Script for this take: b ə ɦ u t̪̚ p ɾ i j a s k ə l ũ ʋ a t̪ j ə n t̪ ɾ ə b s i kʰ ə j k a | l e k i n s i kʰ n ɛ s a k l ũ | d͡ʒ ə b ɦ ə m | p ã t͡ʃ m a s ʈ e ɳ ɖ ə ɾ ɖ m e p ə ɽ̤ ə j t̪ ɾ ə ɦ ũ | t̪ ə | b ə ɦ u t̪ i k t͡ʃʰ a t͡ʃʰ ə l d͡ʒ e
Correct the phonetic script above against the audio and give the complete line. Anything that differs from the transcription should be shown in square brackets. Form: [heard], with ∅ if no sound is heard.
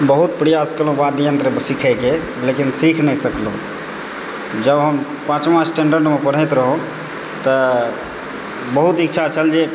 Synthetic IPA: b ə ɦ u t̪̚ p ɾ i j a s k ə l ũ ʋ a [d̪] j ə n t̪ ɾ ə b s i kʰ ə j k [e] | l e k i n s i kʰ n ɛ s [ə] k l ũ | d͡ʒ ə b ɦ ə m | p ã t͡ʃ m a s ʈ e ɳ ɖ ə ɾ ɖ m e p ə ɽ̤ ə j t̪ ɾ ə ɦ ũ | t̪ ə | b ə ɦ u t̪ i k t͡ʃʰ a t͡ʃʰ ə l d͡ʒ e